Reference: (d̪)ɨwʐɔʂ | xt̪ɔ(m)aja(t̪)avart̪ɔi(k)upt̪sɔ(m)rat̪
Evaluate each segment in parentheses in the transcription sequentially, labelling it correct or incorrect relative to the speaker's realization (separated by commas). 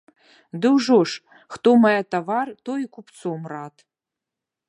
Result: correct, correct, correct, correct, correct